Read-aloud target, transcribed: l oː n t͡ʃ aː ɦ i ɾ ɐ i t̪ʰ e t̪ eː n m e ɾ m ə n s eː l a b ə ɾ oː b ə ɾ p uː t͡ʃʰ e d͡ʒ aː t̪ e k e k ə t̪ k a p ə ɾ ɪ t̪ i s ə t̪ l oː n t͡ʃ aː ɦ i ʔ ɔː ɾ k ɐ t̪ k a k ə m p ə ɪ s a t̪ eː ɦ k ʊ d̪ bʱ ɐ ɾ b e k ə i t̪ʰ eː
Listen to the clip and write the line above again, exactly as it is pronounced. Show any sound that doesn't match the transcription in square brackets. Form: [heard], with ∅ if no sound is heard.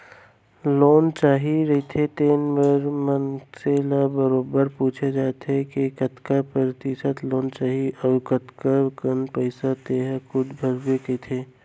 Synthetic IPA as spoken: l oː n t͡ʃ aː ɦ i ɾ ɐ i t̪ʰ e t̪ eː n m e ɾ m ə n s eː l a b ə ɾ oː b ə ɾ p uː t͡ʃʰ e d͡ʒ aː t̪ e k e k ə t̪ k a p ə ɾ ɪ t̪ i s ə t̪ l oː n t͡ʃ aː ɦ i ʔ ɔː ɾ k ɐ t̪ k a k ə [n] p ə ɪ s a t̪ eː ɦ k ʊ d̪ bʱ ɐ ɾ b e k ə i t̪ʰ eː